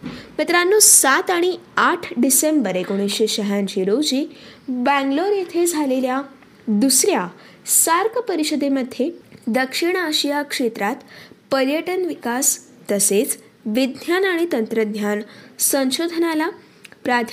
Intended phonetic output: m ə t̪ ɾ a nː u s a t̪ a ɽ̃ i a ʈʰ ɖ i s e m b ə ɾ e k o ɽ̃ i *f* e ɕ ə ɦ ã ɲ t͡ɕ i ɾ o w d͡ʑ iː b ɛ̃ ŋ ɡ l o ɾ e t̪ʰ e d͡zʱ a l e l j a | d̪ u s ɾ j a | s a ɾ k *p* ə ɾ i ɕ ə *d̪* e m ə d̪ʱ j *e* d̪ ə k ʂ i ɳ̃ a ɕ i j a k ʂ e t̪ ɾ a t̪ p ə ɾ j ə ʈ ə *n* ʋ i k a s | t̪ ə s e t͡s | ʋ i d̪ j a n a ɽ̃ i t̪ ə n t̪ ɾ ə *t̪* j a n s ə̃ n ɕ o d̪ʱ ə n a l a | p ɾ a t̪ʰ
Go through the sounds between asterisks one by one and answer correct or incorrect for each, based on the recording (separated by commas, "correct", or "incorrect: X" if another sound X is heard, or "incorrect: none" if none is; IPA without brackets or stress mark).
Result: incorrect: ɕ, correct, correct, correct, correct, incorrect: d̪